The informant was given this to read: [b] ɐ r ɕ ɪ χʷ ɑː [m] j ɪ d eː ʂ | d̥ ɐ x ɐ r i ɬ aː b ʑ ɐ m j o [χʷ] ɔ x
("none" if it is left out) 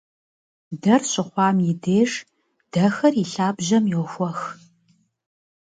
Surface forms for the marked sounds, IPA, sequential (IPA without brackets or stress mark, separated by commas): d, m, xʷ